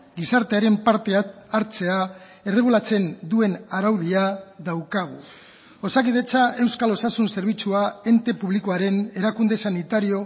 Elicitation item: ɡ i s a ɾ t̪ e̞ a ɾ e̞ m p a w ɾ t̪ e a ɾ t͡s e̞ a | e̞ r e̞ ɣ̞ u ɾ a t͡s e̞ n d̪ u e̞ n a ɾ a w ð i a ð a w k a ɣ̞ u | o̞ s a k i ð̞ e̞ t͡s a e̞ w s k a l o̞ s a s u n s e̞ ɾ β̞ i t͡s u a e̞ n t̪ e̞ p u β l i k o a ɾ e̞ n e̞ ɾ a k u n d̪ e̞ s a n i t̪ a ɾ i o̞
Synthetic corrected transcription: ɡ i s a ɾ t̪ e̞ a ɾ e̞ m p a ɾ t̪ e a ɾ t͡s e̞ a | e̞ r e̞ ɣ̞ u l a t͡s e̞ n d̪ u e̞ n a ɾ a w ð i a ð a w k a ɣ̞ u | o̞ s a k i ð̞ e̞ t͡s a e̞ w s k a l o̞ s a s u n s e̞ ɾ β̞ i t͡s u a e̞ n t̪ e̞ p u β l i k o a ɾ e̞ n e̞ ɾ a k u n d̪ e̞ s a n i t̪ a ɾ i o̞